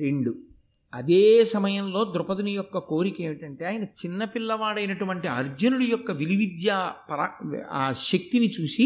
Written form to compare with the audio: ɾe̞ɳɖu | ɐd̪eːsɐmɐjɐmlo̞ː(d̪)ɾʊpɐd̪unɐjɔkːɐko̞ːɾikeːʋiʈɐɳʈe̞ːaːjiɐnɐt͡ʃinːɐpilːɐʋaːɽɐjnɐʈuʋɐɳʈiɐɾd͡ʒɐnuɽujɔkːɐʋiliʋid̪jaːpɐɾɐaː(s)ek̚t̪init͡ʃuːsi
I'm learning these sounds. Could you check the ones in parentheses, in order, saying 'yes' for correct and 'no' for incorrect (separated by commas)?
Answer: yes, no